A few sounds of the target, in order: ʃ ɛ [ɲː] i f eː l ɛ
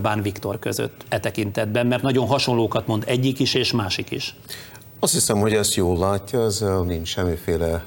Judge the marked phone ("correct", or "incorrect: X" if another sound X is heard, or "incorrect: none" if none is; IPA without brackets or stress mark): incorrect: mː